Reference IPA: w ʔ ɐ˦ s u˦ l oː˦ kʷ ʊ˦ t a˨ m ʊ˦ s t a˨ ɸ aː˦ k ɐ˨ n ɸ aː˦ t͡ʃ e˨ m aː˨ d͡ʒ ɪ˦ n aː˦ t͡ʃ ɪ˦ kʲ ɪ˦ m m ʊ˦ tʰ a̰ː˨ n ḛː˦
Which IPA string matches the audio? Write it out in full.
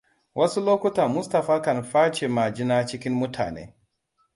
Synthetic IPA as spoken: w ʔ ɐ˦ s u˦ l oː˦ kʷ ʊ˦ t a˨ m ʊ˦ s t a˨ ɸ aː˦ k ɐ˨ n ɸ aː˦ t͡ʃ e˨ m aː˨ d͡ʒ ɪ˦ n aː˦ t͡ʃ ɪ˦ kʲ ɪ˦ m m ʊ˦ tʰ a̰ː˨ n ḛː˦